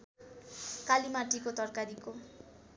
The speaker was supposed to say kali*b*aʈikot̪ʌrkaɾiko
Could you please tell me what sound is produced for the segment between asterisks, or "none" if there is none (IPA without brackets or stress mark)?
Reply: m